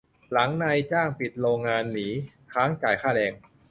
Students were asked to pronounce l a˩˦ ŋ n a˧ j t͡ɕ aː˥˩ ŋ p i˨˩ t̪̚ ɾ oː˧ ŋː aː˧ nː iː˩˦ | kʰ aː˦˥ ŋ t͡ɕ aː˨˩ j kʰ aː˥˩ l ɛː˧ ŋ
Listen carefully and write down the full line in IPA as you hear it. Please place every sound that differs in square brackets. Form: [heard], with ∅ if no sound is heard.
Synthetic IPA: l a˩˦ ŋ n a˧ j t͡ɕ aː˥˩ ŋ p i˨˩ t̪̚ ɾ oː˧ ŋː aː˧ nː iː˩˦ | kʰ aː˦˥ ŋ t͡ɕ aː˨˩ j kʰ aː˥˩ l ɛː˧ ŋ